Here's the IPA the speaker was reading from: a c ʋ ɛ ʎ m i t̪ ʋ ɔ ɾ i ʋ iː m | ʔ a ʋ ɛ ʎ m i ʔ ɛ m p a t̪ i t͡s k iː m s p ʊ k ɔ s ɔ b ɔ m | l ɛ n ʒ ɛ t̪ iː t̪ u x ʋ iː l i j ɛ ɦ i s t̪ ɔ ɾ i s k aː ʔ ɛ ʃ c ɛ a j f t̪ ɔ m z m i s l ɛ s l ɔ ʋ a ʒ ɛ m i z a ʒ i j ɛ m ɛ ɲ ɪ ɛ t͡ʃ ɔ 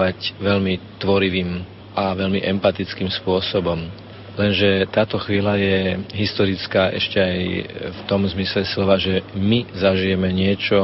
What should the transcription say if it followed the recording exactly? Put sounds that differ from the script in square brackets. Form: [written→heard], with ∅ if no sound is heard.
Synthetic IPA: a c ʋ ɛ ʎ m i t̪ ʋ ɔ ɾ i ʋ iː m | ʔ a ʋ ɛ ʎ m i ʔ ɛ m p a t̪ i t͡s k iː m s p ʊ [k→∅] ɔ s ɔ b ɔ m | l ɛ n ʒ ɛ t̪ [iː→aː] t̪ [u→ɔ] x ʋ iː l [i→a] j ɛ ɦ i s t̪ ɔ ɾ i [s→t͡s] k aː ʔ ɛ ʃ c ɛ a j f t̪ ɔ m z m i s l ɛ s l ɔ ʋ a ʒ ɛ m i z a ʒ i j ɛ m ɛ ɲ ɪ ɛ t͡ʃ ɔ